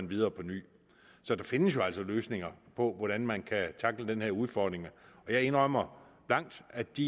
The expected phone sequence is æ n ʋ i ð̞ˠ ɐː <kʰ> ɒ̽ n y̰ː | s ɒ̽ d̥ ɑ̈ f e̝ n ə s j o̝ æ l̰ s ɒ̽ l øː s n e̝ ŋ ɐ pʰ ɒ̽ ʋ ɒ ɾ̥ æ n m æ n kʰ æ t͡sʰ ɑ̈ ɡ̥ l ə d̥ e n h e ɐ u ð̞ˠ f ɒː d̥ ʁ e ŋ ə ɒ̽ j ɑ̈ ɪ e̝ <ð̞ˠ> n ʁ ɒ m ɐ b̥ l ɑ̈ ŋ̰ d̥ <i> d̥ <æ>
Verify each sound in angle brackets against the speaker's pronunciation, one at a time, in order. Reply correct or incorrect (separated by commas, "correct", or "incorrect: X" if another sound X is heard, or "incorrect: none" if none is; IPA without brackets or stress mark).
incorrect: pʰ, incorrect: none, incorrect: æ, incorrect: i